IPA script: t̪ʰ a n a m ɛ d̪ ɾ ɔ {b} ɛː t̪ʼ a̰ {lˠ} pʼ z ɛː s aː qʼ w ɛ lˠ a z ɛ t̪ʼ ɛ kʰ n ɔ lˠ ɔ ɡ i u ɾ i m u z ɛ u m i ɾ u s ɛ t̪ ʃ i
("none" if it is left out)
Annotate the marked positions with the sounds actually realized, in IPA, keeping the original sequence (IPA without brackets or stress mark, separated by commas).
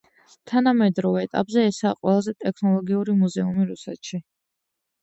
v, none